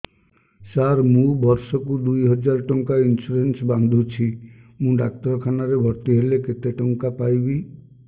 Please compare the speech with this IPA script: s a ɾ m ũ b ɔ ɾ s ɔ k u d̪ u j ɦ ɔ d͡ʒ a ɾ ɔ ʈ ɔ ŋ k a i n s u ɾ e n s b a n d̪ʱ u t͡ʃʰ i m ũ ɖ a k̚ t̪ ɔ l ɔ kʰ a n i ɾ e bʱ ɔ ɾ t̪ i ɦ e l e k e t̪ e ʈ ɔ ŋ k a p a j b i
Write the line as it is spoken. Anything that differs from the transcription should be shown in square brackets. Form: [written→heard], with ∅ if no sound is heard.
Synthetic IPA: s a ɾ m ũ b ɔ ɾ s ɔ k u d̪ u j ɦ ɔ d͡ʒ a ɾ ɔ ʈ ɔ ŋ k a i n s u ɾ e n s b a n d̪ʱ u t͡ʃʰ i m ũ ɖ a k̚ t̪ ɔ [l→ɾ] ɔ kʰ a n [i→a] ɾ e bʱ ɔ ɾ t̪ i ɦ e l e k e t̪ e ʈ ɔ ŋ k a p a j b i